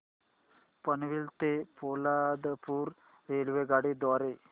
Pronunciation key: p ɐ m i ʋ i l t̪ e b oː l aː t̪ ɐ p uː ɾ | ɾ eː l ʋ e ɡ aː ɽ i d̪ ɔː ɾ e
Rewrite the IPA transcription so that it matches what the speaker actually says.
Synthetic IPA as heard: p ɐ n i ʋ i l t̪ e p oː l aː d̪ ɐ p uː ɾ | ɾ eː l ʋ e ɡ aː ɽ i d̪ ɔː ɾ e